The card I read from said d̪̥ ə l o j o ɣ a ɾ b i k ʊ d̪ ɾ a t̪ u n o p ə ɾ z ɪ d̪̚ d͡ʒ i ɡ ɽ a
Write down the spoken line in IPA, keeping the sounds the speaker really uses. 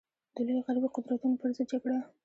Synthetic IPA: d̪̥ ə l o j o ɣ a ɾ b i q ʊ d̪ ɾ a t̪ u n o p ə ɾ z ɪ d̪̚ d͡ʒ a ɡ ɽ a

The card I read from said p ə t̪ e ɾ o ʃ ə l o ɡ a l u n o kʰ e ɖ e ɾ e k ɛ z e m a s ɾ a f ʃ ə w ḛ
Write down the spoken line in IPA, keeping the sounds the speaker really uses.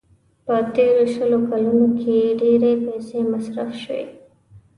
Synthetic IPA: p ə t̪ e ɾ o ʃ ə l o k a l u n o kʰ e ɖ e ɾ e p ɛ s e m a s ɾ a f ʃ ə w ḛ

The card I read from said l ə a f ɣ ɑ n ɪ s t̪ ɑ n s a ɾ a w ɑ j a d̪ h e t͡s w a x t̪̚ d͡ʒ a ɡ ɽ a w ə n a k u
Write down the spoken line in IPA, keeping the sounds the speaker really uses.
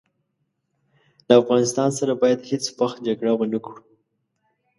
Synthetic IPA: l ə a f ɣ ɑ n ɪ s t̪ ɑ n s a ɾ a b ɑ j a d̪ h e t͡s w a x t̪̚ d͡ʒ a ɡ ɽ a w ə n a k u

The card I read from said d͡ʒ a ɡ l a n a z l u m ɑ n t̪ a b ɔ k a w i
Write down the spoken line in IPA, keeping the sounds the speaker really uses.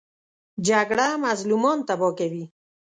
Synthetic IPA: d͡ʒ a ɡ ɽ a m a z l u m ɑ n t̪ a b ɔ k a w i

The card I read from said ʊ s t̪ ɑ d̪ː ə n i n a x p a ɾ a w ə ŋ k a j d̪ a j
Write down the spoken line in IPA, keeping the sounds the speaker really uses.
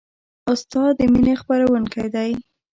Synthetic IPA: ʊ s t̪ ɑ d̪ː ə m i n e x p a ɾ a w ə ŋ k a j d̪ a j

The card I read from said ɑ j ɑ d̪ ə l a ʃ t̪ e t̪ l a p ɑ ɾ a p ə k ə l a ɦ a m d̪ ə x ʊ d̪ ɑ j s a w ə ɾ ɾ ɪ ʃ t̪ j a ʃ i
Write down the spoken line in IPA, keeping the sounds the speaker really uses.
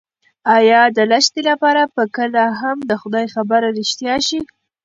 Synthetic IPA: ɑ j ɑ d̪ ə l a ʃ t̪ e l a p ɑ ɾ a p ə k ə l a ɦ a m d̪ ə x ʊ d̪ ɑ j x a b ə ɾ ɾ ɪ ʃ t̪ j ɑ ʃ i

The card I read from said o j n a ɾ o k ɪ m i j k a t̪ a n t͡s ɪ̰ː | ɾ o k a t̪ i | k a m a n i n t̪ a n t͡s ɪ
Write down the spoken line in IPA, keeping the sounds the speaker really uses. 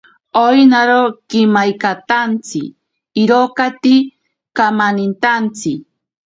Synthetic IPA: o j n a ɾ o k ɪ m a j k a t̪ a n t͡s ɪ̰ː | ɾ o k a t̪ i | k a m a n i n t̪ a n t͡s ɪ

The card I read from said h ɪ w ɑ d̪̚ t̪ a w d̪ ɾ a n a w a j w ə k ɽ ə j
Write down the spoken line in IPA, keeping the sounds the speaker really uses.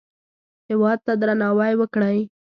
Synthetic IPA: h ɪ w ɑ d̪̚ t̪ a d̪ ɾ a n ɑ w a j w ə k ɽ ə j

